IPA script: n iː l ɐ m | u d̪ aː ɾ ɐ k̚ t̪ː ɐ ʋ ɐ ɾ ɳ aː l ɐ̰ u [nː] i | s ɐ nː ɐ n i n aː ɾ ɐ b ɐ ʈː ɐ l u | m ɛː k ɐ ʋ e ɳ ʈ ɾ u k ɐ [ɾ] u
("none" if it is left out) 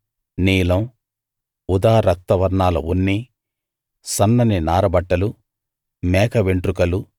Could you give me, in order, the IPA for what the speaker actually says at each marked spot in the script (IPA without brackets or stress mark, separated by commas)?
nː, l